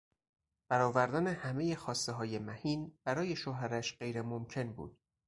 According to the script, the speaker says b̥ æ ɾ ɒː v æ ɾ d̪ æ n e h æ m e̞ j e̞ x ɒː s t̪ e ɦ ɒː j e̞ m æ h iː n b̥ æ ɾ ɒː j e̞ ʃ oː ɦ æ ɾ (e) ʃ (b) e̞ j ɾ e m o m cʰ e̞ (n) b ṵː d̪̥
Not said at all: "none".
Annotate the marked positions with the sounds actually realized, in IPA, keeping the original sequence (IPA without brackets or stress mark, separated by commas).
æ, ɢ, n